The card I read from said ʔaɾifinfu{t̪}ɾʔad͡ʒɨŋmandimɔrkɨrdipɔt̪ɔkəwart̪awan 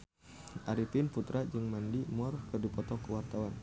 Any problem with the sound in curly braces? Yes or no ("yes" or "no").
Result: no